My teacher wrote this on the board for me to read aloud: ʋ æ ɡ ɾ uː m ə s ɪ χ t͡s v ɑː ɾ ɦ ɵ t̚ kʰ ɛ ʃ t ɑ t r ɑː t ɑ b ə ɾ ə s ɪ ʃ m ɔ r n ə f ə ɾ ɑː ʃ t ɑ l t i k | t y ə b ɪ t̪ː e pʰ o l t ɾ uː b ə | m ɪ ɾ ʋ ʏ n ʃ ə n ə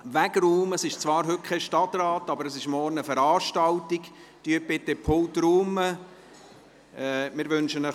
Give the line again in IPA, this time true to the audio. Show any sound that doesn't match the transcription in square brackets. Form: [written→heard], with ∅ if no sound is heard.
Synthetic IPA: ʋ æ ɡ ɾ uː m ə s ɪ [χ→ʃ] t͡s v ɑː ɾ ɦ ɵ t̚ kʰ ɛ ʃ t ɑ t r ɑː t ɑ b ə ɾ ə s ɪ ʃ m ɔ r n ə f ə ɾ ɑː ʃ t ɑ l t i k | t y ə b ɪ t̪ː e pʰ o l t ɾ uː [b→m] ə | m ɪ ɾ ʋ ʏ n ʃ ə n ə